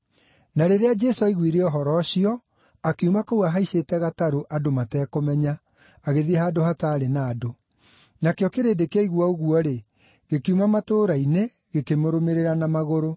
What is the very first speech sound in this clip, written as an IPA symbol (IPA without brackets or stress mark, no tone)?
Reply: n